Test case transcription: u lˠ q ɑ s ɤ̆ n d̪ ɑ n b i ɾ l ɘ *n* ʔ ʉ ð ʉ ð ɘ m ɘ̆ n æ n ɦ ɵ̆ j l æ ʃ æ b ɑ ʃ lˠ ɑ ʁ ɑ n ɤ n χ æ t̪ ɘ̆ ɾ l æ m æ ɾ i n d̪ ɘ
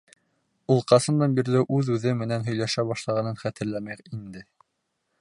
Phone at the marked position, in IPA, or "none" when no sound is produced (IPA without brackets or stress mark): none